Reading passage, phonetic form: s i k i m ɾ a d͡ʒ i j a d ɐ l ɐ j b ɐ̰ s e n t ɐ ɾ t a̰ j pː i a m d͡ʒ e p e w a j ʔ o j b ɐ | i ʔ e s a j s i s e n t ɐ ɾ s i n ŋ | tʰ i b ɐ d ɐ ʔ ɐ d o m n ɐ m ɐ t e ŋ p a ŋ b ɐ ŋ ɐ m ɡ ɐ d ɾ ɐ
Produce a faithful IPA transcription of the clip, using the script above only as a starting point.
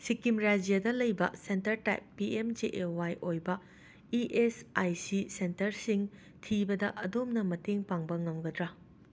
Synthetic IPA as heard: s i k i m ɾ a d͡ʒ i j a d ɐ l ɐ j b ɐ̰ s e n t ɐ ɾ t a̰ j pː i e m d͡ʒ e ʔ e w a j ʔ o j b ɐ | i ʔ e s a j s i s e n t ɐ ɾ s i ŋ | tʰ i b ɐ d ɐ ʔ ɐ d o m n ɐ m ɐ t e ŋ p a ŋ b ɐ ŋ ɐ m ɡ ɐ d ɾ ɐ